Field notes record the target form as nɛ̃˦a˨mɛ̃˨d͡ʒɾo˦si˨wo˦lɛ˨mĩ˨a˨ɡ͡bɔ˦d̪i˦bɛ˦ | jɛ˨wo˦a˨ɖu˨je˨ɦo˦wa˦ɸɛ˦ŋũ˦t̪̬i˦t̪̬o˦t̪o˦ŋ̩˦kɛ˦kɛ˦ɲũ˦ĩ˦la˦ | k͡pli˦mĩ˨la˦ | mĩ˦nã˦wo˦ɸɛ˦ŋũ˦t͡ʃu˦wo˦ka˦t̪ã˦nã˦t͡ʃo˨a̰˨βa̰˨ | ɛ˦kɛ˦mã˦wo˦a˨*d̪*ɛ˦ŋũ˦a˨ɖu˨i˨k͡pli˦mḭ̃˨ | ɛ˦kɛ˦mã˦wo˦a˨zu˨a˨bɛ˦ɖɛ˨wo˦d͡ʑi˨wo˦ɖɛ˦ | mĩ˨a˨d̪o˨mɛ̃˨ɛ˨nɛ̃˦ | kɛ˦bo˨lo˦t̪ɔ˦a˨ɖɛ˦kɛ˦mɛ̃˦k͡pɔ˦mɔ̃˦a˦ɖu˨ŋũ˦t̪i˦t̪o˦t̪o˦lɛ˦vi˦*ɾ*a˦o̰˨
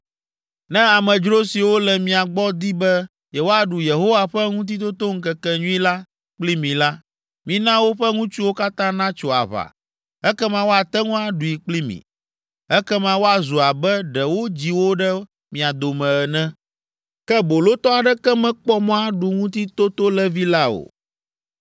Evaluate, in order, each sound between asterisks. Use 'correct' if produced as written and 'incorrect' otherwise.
incorrect: t̪, incorrect: l

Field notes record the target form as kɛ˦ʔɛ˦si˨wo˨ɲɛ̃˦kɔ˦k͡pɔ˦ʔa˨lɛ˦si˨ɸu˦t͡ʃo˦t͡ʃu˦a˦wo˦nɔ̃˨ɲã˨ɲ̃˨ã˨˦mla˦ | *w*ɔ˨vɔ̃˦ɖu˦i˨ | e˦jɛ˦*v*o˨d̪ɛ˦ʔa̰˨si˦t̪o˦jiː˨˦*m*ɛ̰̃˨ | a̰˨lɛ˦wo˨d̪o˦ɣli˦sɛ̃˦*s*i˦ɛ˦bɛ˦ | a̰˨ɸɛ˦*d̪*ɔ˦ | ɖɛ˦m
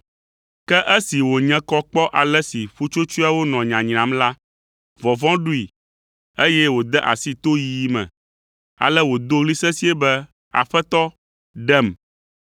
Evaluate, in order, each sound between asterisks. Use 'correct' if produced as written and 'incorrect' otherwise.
incorrect: v, incorrect: w, correct, correct, incorrect: t̪

